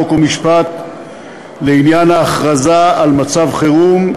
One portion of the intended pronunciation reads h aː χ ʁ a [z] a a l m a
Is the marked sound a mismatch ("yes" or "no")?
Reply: no